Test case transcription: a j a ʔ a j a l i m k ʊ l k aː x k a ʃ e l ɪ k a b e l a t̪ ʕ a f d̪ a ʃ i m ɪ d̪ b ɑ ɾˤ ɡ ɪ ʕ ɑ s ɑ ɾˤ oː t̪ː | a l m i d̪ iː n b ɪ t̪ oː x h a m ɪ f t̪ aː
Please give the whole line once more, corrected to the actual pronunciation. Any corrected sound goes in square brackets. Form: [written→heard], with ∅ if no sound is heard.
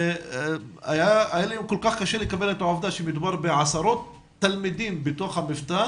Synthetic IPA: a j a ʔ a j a l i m k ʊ l k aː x k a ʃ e l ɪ k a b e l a t̪ ʕ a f d̪ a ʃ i m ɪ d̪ b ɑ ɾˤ [ɡ→b] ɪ ʕ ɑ s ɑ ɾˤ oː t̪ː | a l m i d̪ iː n b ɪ t̪ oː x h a m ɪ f t̪ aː